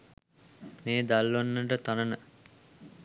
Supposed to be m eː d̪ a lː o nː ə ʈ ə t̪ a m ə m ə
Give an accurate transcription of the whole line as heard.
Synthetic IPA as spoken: m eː d̪ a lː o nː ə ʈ ə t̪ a n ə n ə